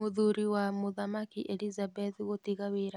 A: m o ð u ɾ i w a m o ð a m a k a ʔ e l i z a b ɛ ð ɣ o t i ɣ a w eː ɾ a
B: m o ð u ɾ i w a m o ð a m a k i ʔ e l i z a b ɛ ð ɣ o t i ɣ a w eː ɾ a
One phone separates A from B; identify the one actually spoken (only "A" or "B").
B